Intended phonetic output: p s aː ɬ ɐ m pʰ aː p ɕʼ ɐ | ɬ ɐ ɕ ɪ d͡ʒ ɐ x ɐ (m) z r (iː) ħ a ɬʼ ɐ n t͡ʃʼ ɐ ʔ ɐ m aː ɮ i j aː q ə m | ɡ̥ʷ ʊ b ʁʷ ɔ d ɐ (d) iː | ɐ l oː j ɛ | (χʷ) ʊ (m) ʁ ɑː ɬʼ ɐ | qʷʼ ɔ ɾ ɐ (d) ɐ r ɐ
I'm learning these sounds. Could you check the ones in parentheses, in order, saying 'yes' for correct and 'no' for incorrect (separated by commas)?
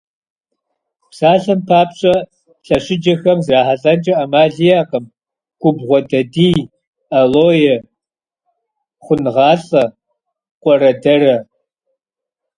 yes, no, yes, yes, no, yes